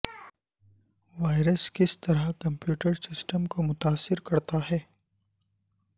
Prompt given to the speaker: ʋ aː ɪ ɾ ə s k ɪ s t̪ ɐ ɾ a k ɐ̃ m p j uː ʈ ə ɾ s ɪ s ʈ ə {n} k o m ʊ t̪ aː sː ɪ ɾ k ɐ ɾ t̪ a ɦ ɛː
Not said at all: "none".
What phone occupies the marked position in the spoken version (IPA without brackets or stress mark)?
m